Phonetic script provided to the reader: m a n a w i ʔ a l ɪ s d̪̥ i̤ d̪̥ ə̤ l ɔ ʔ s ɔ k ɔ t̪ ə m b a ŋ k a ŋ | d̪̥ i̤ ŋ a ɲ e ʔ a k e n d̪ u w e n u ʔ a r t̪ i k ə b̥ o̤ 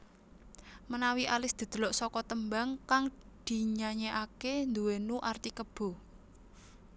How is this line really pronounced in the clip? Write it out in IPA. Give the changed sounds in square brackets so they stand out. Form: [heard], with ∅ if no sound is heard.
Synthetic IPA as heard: m [ə] n a w i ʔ a l ɪ s d̪̥ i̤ d̪̥ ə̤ l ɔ ʔ s ɔ k ɔ t̪ ə m b a ŋ k a ŋ | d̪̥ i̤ [ɲ] a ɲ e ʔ a k e n d̪ u w e n u ʔ a r t̪ i k ə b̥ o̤